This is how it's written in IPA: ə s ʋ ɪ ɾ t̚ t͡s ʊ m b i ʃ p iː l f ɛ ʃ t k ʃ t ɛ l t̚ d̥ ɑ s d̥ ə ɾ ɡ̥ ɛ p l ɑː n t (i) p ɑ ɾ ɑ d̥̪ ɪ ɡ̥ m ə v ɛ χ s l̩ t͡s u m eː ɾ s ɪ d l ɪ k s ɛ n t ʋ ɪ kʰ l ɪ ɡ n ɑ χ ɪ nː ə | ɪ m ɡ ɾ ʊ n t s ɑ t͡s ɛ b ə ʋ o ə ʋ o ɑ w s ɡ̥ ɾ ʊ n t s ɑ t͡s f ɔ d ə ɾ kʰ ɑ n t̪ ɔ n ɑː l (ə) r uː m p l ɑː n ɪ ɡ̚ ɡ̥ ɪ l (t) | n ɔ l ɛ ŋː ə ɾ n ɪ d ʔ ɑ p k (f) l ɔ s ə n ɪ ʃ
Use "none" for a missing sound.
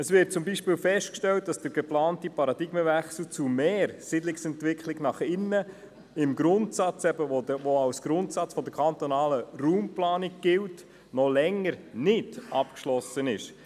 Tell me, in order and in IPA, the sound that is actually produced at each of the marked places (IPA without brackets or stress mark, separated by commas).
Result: i, ə, t, ʃ